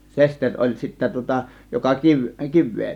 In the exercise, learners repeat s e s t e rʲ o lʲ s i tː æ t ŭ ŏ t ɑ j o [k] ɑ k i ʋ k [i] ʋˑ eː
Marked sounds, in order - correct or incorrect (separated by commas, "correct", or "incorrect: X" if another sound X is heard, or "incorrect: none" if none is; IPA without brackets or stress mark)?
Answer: correct, correct